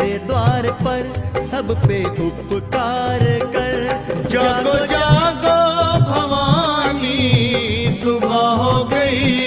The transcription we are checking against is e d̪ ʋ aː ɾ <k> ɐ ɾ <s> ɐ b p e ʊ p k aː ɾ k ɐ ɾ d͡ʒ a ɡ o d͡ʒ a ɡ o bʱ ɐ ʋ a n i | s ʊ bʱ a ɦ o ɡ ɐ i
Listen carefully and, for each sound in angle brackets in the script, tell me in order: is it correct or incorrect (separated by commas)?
incorrect, correct